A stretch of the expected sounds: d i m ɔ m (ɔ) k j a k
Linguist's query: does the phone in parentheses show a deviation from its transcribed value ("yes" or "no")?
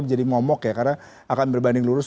no